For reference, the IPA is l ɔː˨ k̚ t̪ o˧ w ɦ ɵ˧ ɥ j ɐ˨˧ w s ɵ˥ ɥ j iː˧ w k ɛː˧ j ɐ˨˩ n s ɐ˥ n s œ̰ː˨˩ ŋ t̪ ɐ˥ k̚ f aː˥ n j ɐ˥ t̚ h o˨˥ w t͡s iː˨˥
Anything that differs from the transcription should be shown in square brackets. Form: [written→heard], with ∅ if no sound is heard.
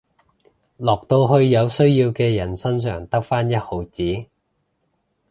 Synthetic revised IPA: l ɔː˨ k̚ t̪ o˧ w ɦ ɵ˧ ɥ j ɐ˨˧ w s ɵ˥ ɥ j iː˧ w k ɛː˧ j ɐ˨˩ n s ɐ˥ n s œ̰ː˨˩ ŋ t̪ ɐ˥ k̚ f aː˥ n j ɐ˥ t̚ h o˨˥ w t͡s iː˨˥